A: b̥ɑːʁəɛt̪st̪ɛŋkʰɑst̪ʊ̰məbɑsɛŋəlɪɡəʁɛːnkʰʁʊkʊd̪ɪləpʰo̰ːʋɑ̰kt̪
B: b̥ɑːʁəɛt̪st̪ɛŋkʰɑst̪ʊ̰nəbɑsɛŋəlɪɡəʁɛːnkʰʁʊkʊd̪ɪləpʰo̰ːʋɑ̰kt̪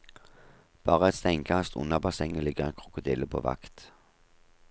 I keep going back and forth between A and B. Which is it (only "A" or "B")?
B